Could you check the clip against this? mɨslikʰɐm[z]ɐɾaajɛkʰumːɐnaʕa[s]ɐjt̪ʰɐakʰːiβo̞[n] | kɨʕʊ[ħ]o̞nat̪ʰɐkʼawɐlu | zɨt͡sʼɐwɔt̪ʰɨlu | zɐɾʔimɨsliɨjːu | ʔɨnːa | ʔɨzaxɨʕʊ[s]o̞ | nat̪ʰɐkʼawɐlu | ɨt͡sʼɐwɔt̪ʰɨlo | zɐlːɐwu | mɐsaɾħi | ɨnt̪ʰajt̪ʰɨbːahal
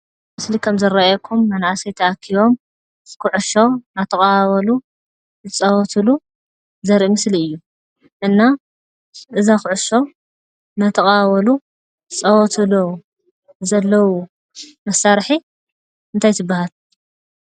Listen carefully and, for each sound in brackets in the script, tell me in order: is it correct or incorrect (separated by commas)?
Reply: correct, correct, incorrect, incorrect, incorrect